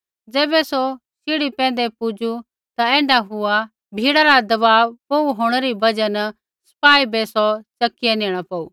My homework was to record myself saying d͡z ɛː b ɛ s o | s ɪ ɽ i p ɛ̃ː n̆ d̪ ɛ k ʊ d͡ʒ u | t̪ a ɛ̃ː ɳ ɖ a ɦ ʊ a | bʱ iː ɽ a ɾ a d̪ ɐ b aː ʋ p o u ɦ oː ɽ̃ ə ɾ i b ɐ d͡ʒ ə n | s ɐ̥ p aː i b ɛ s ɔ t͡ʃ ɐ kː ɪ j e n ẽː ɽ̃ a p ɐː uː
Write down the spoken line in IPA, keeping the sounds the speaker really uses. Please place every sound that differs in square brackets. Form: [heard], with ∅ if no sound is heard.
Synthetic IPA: d͡z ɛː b ɛ s o | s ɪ ɽ i p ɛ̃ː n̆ d̪ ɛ [p] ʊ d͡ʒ u | t̪ a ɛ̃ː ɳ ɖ a ɦ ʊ a | bʱ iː ɽ a ɾ a d̪ ɐ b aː ʋ p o u ɦ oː ɽ̃ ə ɾ i b ɐ d͡ʒ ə n | s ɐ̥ p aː i b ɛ s ɔ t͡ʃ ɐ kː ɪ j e n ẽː ɽ̃ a p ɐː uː

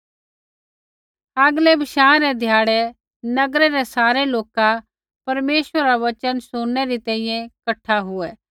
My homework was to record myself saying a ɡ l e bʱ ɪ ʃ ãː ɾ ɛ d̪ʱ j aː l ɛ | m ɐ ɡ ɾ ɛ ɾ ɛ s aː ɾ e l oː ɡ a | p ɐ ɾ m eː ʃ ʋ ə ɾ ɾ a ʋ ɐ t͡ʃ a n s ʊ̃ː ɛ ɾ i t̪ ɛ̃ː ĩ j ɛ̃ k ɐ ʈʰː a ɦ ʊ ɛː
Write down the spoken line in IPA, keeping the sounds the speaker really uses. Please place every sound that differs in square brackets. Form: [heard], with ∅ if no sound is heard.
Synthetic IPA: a ɡ l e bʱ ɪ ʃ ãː ɾ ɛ d̪ʱ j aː [ɽ] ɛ | [n] ɐ ɡ ɾ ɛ ɾ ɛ s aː ɾ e l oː [k] a | p ɐ ɾ m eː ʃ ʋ ə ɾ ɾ a ʋ ɐ t͡ʃ [ə] n s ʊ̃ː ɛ ɾ i t̪ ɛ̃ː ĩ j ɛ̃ k ɐ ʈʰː a ɦ ʊ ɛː

